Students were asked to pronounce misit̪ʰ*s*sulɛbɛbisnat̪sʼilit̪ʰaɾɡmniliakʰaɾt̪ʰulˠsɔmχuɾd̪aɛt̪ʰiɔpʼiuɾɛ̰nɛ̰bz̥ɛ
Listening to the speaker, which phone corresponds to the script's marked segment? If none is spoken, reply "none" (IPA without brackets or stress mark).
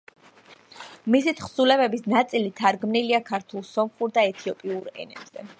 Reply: χ